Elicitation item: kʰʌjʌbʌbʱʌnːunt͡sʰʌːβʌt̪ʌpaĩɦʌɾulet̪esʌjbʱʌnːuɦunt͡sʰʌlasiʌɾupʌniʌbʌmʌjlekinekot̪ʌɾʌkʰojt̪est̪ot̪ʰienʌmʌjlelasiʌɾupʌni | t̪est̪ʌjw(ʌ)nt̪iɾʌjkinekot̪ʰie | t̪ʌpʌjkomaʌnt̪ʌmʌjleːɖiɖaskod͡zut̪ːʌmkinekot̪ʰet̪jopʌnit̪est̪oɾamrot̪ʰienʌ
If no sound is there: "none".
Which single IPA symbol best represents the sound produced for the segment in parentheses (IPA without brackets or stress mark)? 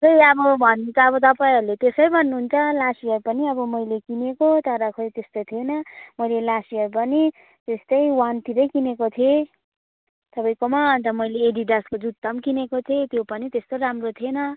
a